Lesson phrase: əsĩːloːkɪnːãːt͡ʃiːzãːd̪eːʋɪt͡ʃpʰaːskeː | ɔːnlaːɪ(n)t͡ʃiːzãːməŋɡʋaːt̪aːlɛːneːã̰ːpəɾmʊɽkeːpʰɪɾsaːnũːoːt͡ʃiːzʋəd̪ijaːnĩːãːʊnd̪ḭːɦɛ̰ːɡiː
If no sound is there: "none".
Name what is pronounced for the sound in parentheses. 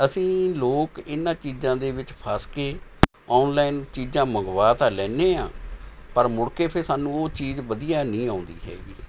n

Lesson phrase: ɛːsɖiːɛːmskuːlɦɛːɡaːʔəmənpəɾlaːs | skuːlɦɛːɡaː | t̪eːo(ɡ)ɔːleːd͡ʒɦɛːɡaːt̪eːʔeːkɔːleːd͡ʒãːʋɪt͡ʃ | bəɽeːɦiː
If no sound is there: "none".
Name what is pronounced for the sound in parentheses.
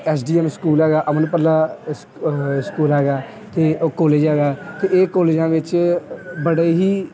k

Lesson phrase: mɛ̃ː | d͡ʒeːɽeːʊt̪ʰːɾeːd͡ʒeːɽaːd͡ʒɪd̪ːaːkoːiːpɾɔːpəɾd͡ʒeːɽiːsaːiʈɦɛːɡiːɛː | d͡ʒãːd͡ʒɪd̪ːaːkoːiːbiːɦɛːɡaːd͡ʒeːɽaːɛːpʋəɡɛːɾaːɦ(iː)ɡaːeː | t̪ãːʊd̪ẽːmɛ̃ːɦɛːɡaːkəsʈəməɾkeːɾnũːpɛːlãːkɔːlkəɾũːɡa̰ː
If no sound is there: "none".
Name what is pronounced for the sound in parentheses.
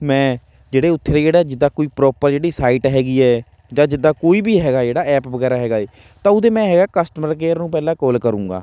ɛː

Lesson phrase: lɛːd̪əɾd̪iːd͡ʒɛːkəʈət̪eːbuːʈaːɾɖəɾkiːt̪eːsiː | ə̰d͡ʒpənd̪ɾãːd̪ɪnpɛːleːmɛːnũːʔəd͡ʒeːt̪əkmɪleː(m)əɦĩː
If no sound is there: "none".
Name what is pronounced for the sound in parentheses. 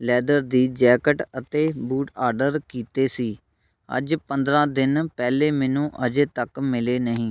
n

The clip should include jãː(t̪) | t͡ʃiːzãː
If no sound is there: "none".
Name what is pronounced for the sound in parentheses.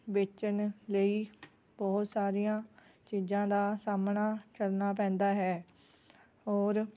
none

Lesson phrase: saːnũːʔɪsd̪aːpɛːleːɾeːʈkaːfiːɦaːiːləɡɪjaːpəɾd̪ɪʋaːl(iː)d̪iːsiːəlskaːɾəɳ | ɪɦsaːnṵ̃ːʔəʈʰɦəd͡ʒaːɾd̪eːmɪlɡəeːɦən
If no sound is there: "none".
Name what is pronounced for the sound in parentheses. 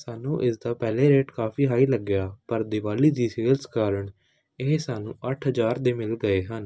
iː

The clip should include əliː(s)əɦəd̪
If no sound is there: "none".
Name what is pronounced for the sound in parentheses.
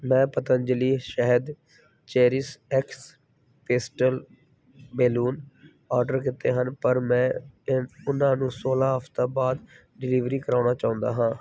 ʃ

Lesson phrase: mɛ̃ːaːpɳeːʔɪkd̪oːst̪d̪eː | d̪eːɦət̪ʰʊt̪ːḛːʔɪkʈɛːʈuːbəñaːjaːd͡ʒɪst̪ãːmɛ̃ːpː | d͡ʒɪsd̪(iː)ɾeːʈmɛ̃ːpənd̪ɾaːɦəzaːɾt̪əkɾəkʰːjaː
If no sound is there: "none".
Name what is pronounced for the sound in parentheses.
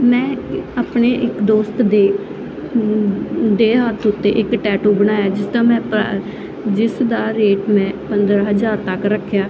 aː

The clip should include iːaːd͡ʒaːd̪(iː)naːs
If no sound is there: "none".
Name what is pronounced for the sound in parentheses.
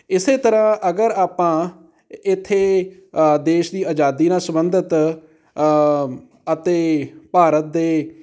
iː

